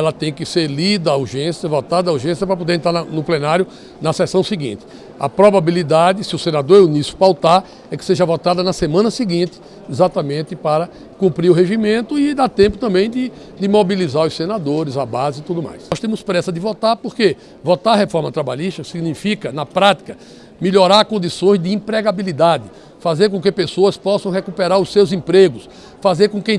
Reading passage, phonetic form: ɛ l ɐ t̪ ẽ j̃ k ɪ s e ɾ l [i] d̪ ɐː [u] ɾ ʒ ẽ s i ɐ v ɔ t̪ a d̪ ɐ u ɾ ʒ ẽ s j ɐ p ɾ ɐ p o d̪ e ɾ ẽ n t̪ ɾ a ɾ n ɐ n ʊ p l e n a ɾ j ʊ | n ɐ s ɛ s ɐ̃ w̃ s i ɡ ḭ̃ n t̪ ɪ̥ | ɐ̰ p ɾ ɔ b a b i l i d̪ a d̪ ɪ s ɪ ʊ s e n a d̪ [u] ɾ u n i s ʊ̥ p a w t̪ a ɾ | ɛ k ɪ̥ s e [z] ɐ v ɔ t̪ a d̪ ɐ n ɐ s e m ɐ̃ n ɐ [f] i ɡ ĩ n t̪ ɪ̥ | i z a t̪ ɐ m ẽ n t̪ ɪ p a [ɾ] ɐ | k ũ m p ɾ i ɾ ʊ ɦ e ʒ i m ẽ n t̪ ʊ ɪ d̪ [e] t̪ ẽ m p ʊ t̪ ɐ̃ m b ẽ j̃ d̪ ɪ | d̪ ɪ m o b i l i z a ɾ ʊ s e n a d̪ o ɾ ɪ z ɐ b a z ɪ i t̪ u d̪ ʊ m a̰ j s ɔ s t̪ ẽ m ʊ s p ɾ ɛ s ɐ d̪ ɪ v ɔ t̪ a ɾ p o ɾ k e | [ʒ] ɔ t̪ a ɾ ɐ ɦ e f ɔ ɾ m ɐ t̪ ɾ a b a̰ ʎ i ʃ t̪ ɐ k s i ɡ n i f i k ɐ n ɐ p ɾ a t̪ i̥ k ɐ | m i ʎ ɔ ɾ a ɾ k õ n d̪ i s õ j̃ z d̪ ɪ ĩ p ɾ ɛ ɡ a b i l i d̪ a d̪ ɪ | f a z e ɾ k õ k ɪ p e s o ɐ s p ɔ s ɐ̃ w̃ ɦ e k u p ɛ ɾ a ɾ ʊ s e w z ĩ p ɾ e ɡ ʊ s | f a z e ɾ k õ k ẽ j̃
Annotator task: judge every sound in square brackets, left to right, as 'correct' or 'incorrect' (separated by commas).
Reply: correct, correct, incorrect, incorrect, incorrect, correct, incorrect, incorrect